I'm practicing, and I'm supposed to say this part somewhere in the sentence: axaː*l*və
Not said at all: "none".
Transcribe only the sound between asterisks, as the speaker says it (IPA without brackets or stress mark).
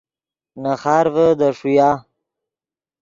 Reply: ɾ